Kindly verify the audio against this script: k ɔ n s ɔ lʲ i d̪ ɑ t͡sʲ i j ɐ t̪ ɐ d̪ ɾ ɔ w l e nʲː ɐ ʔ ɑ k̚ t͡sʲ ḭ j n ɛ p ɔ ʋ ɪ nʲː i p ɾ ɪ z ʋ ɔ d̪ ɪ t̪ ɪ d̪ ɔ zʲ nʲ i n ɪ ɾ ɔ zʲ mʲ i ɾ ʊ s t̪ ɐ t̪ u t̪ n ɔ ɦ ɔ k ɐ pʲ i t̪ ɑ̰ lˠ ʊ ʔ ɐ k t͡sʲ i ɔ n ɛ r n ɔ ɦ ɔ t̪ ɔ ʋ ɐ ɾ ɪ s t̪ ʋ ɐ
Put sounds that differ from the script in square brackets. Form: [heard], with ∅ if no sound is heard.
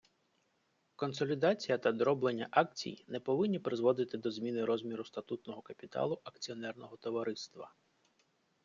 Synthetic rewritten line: k ɔ n s ɔ lʲ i d̪ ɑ t͡sʲ i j ɐ t̪ ɐ d̪ ɾ ɔ [b] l e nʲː ɐ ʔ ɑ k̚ t͡sʲ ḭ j n ɛ p ɔ ʋ ɪ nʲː i p ɾ ɪ z ʋ ɔ d̪ ɪ t̪ ɪ d̪ ɔ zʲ [mʲ] i n ɪ ɾ ɔ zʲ mʲ i ɾ ʊ s t̪ ɐ t̪ u t̪ n ɔ ɦ ɔ k ɐ pʲ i t̪ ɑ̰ lˠ ʊ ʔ ɐ k t͡sʲ i ɔ n ɛ r n ɔ ɦ ɔ t̪ ɔ ʋ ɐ ɾ ɪ s t̪ ʋ ɐ